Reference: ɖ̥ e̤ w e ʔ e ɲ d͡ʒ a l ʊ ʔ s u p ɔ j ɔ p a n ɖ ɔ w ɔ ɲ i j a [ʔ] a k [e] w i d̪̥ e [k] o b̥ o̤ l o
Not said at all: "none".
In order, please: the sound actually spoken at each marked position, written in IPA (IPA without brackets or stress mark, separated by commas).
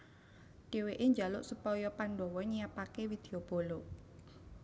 p, e, none